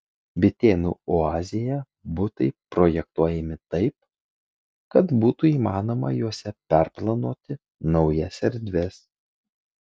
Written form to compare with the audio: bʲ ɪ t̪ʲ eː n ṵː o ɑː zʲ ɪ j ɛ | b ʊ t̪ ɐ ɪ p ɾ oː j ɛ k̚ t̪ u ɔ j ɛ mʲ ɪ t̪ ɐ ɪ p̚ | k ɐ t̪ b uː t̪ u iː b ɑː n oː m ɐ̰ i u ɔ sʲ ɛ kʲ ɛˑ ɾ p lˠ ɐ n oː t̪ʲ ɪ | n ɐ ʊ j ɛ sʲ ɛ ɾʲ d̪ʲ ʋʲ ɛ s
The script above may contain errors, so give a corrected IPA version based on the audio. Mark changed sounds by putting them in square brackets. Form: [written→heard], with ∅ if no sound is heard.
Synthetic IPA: bʲ ɪ t̪ʲ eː n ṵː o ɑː zʲ ɪ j ɛ | b ʊ t̪ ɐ ɪ p ɾ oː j ɛ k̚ t̪ u ɔ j ɛ mʲ ɪ t̪ ɐ ɪ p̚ | k ɐ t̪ b uː t̪ u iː [b→m] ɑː n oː m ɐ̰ [i→j] u ɔ sʲ ɛ [kʲ→pʲ] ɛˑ ɾ p lˠ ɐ n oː t̪ʲ ɪ | n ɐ ʊ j ɛ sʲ ɛ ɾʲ d̪ʲ ʋʲ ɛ s